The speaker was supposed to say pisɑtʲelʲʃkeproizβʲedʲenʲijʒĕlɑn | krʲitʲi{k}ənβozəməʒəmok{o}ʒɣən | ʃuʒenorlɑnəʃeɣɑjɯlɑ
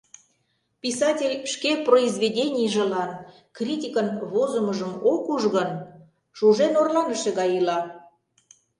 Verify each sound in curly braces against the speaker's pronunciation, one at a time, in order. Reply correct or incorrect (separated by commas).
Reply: correct, incorrect